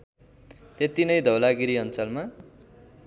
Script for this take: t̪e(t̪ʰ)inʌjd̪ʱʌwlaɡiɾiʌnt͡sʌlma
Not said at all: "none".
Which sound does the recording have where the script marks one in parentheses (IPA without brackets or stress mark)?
t̪